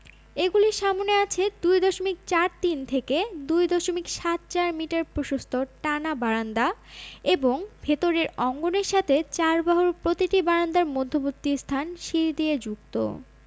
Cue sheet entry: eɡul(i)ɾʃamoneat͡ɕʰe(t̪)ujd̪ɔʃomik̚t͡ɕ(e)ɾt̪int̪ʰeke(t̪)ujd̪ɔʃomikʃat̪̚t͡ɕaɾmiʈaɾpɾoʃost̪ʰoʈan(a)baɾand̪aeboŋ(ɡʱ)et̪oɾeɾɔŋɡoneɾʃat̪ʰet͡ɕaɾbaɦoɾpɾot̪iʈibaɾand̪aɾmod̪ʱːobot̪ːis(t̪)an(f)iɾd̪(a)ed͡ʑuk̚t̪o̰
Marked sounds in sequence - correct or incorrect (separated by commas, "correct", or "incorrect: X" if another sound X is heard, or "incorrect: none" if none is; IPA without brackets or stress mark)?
correct, incorrect: d̪, incorrect: a, incorrect: d̪, correct, incorrect: bʱ, incorrect: t̪ʰ, incorrect: ʃ, incorrect: i